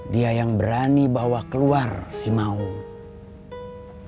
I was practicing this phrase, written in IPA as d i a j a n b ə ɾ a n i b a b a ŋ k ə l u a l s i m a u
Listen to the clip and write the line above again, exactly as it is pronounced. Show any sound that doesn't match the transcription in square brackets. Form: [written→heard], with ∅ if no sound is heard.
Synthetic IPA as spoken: d i a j a [n→ŋ] b ə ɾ a n i b a [b→w] a [ŋ→∅] k ə l u a [l→r] s i m a u